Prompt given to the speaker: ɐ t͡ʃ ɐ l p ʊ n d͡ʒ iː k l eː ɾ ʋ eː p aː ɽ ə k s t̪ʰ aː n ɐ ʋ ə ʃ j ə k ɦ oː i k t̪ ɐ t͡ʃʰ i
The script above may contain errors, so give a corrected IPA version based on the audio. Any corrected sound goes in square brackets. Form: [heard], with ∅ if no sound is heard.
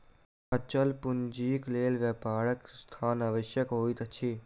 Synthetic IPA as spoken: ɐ t͡ʃ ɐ l p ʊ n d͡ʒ iː k l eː [l] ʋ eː p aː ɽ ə k s t̪ʰ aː n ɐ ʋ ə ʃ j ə k ɦ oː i [∅] t̪ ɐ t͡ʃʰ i